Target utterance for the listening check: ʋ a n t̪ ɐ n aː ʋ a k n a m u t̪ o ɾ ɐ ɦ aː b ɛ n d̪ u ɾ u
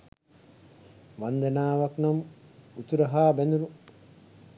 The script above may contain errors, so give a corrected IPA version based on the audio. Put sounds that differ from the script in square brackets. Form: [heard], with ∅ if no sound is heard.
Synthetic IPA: ʋ a n [d̪] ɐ n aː ʋ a k n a m u t̪ [u] ɾ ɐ ɦ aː b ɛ n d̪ u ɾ u